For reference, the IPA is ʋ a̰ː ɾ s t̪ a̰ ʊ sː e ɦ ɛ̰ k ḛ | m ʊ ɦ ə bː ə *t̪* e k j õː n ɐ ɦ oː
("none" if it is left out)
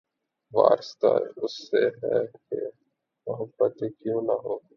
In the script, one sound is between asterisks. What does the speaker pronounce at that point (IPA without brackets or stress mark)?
t̪